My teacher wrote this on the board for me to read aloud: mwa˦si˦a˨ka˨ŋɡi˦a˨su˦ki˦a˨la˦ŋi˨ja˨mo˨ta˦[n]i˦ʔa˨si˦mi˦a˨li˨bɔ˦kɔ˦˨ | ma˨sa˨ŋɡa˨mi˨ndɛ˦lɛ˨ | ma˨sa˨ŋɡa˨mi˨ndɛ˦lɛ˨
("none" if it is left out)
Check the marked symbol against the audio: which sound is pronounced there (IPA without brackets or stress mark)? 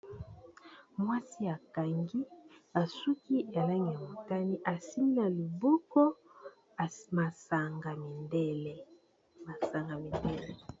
n